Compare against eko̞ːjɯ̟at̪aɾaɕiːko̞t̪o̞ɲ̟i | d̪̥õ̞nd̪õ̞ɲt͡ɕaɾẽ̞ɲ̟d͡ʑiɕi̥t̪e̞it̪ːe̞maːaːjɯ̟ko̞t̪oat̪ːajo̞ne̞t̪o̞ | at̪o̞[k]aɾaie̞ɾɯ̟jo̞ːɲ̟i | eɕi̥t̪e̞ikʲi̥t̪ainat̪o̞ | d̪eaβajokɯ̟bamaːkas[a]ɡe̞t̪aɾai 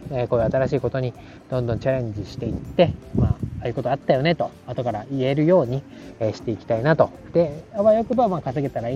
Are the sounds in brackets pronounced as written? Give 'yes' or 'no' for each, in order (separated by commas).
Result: yes, no